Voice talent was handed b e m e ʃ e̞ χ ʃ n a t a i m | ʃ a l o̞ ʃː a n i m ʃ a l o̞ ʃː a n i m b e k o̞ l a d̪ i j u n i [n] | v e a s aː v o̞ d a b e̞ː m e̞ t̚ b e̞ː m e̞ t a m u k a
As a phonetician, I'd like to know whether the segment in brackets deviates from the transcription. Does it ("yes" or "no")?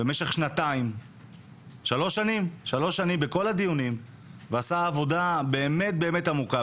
yes